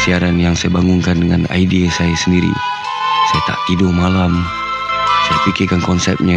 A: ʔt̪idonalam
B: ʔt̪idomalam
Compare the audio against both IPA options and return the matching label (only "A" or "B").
B